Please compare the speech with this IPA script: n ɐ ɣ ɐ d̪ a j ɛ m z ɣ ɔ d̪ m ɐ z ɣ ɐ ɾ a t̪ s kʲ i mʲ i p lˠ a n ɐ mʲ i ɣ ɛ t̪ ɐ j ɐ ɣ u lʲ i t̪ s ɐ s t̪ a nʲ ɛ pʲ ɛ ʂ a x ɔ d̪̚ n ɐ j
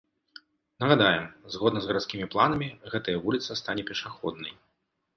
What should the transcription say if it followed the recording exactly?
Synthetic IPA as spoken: n ɐ ɣ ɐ d̪ a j ɛ m z ɣ ɔ d̪ n ɐ z ɣ ɐ ɾ a t̪ s kʲ i mʲ i p lˠ a n ɐ mʲ i ɣ ɛ t̪ ɐ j ɐ v u lʲ i t̪ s ɐ s t̪ a nʲ ɛ pʲ ɛ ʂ a x ɔ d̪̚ n ɐ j